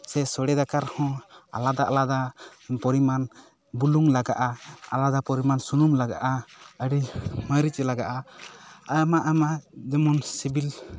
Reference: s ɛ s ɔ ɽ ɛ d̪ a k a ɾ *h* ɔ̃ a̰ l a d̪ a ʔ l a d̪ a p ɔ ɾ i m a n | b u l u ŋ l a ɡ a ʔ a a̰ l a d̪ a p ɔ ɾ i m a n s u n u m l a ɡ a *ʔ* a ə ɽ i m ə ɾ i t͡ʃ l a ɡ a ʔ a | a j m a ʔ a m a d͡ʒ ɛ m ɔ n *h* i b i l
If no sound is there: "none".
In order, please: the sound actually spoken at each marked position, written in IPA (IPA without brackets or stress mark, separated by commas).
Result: h, ʔ, s